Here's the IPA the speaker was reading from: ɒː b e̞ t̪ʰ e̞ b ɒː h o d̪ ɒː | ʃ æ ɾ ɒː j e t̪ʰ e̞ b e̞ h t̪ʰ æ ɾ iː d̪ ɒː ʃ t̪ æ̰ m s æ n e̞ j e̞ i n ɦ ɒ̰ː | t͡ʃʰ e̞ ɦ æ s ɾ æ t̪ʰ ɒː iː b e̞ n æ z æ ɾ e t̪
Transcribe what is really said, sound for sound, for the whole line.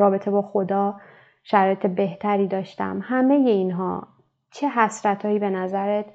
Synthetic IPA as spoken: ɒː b e̞ t̪ʰ e̞ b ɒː x o d̪ ɒː | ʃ æ ɾ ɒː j e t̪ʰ e̞ b e̞ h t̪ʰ æ ɾ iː d̪ ɒː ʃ t̪ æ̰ m h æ m e̞ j e̞ i n ɦ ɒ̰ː | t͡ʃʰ e̞ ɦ æ s ɾ æ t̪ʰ ɒː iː b e̞ n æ z æ ɾ e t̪